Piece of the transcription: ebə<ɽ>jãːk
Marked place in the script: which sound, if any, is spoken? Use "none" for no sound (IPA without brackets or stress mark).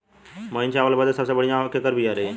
ɽ